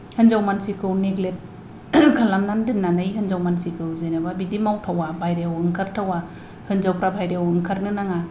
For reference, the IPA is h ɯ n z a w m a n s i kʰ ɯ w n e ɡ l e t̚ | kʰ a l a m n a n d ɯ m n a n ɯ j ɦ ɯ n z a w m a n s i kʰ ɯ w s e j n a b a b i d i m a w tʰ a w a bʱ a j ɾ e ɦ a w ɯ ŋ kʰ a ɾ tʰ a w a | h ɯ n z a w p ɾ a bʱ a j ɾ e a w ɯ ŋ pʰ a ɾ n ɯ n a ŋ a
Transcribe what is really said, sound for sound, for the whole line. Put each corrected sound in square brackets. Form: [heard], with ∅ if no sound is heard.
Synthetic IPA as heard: h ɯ n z a w m a n s i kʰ ɯ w n e ɡ l e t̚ | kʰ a l a m n a n d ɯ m n a n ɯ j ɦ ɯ n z a w m a n s i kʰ ɯ w [z] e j n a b a b i d i m a w tʰ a w a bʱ a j ɾ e [∅] a w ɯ ŋ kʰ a ɾ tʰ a w a | h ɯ n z a w p ɾ a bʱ a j ɾ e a w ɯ ŋ [kʰ] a ɾ n ɯ n a ŋ a

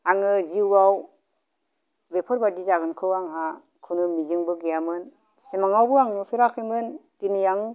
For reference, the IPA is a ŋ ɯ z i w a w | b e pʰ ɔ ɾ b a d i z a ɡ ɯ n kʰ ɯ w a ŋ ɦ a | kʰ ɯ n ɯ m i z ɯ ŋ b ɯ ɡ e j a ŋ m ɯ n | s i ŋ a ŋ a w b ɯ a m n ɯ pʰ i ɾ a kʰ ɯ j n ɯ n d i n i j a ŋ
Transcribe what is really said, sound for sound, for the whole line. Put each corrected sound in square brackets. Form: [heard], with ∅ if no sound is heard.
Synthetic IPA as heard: a ŋ ɯ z i w a w | b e pʰ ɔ ɾ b a d i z a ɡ ɯ n kʰ ɯ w a ŋ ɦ a | kʰ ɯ n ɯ m i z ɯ ŋ b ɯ ɡ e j a [∅] m ɯ n | s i [m] a ŋ a w b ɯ a [ŋ] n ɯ pʰ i ɾ a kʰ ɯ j [m] ɯ n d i n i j a ŋ

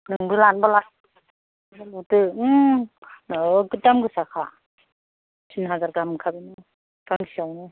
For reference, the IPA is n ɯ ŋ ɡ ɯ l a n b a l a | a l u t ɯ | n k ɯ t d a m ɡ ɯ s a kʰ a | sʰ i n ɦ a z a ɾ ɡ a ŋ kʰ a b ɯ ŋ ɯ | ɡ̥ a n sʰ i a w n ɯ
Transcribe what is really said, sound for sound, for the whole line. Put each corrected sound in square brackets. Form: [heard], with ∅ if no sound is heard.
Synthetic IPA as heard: n ɯ ŋ [b] ɯ l a n b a l a | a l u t ɯ | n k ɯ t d a m ɡ ɯ s a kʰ a | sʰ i n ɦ a z a ɾ ɡ a [m] kʰ a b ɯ [n] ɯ | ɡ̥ a [ŋ] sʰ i a w n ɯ

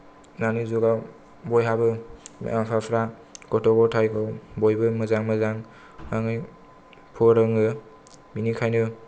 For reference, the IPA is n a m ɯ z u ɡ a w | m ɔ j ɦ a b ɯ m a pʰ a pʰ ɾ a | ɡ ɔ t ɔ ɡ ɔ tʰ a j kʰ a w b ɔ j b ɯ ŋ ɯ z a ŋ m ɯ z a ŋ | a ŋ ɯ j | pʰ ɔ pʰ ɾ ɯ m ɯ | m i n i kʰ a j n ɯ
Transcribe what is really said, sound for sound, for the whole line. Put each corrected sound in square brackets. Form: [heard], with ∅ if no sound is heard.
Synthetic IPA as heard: n a [n] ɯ z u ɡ a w | [b] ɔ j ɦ a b ɯ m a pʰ a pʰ ɾ a | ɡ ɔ t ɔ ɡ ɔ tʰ a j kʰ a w b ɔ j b ɯ [m] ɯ z a ŋ m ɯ z a ŋ | a ŋ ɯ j | pʰ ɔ [∅] ɾ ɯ [ŋ] ɯ | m i n i kʰ a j n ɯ

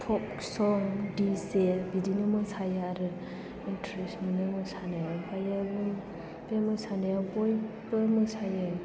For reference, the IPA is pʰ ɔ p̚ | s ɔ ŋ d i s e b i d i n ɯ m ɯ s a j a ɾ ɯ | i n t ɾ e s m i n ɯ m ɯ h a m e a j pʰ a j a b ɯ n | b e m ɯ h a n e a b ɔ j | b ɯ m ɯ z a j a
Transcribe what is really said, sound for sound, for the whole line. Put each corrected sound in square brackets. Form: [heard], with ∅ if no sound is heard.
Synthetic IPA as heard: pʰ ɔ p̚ | s ɔ ŋ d i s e b i d i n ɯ m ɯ s a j a ɾ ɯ | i n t ɾ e s m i n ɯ m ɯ [s] a [n] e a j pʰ a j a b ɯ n | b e m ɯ [s] a n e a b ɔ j | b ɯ m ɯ [s] a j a

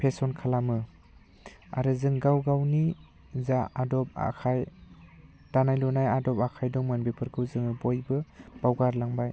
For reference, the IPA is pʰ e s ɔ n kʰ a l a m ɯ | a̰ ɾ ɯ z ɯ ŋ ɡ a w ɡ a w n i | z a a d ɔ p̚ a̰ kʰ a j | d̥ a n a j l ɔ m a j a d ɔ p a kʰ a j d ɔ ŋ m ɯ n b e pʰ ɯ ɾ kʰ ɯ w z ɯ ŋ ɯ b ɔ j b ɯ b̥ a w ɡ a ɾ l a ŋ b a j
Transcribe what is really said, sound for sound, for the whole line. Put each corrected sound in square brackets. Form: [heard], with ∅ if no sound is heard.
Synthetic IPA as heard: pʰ e s ɔ n kʰ a l a m ɯ | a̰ ɾ ɯ z ɯ ŋ ɡ a w ɡ a w n i | z a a d ɔ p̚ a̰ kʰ a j | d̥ a n a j l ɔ [n] a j a d ɔ p a kʰ a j d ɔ ŋ m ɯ n b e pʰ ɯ ɾ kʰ ɯ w z ɯ ŋ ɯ b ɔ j b ɯ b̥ a w ɡ a ɾ l a ŋ b a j

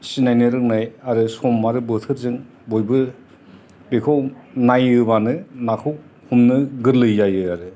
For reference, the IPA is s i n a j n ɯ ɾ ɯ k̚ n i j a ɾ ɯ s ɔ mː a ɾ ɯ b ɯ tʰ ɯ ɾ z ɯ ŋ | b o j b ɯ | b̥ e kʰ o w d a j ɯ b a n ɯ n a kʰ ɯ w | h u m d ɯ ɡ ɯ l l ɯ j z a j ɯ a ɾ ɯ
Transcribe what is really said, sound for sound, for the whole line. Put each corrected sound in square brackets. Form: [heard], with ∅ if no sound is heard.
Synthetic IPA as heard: s i n a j n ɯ ɾ ɯ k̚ n [a] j a ɾ ɯ s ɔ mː a ɾ ɯ b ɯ tʰ ɯ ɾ z ɯ ŋ | b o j b ɯ | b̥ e kʰ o w [n] a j ɯ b a n ɯ n a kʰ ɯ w | h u m [n] ɯ ɡ ɯ [ɾ] l ɯ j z a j ɯ a ɾ ɯ

